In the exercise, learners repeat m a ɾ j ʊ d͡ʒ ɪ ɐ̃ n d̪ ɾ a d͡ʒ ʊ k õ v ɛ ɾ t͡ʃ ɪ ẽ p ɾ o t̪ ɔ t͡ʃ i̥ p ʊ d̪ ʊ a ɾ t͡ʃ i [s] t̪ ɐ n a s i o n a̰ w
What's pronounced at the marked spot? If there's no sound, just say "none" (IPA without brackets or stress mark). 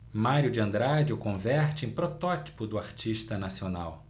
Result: ʃ